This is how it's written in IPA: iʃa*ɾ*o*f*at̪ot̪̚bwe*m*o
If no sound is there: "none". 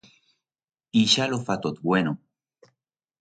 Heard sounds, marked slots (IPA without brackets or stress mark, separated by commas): l, f, n